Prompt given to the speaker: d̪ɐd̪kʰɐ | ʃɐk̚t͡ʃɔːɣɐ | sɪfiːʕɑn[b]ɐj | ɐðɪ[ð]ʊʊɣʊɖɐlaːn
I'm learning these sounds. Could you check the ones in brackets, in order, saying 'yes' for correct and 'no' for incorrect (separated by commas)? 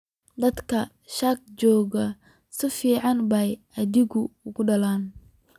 yes, no